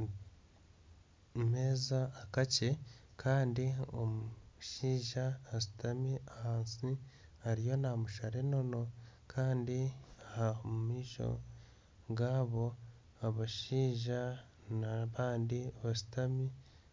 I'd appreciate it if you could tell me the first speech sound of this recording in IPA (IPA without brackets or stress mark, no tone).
m